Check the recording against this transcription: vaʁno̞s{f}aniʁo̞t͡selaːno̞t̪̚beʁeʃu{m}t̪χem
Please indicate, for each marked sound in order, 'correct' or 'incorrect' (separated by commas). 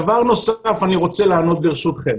correct, incorrect